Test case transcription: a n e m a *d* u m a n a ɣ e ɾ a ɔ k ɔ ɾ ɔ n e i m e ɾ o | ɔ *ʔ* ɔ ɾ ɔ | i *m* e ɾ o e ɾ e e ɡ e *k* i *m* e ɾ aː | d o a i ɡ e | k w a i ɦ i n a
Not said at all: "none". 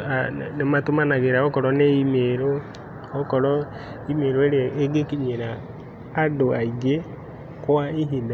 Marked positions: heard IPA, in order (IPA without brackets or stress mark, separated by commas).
t, k, m, k, ɲ